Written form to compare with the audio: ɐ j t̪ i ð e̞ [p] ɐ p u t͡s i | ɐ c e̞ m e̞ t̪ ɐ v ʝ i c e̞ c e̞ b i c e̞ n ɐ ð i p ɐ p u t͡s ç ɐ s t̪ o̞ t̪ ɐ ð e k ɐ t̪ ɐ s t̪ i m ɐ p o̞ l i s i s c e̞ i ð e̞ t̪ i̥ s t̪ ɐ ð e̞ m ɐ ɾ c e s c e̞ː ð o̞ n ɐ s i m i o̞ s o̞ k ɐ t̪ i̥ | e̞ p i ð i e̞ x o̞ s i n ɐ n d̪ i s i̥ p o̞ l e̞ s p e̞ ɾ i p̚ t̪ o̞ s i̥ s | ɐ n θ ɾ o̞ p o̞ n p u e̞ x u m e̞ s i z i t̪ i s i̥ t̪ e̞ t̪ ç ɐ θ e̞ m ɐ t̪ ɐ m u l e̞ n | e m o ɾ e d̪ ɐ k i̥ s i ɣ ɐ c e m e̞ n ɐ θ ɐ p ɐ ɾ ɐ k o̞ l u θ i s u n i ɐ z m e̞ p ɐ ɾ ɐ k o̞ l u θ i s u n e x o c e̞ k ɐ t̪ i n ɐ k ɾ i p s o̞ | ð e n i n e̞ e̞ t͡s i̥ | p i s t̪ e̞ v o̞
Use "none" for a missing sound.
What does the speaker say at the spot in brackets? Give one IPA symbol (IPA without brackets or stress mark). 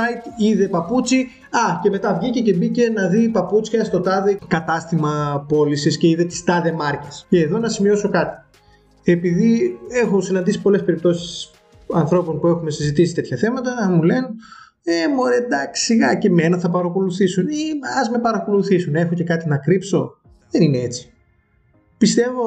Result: p